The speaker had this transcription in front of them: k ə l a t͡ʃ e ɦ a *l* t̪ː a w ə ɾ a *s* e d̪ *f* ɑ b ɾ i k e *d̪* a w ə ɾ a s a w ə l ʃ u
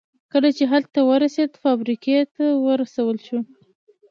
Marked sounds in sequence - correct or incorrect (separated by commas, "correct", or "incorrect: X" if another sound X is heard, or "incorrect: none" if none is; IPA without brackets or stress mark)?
correct, correct, correct, incorrect: t̪